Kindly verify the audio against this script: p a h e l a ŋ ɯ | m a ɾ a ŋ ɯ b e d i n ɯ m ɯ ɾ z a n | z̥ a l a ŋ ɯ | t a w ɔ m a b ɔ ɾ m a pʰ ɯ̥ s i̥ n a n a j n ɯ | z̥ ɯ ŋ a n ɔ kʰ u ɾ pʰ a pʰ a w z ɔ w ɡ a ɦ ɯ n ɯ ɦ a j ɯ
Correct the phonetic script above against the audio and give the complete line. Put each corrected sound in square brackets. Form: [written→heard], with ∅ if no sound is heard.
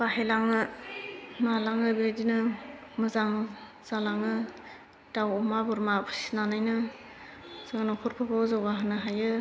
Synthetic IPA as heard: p a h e l a ŋ ɯ | m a [ɾ→l] a ŋ ɯ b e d i n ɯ m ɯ [ɾ→∅] z a [n→ŋ] | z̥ a l a ŋ ɯ | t a w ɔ m a b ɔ ɾ m a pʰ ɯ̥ s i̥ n a n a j n ɯ | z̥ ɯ ŋ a n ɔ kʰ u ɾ pʰ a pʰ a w z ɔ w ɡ a ɦ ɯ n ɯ ɦ a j ɯ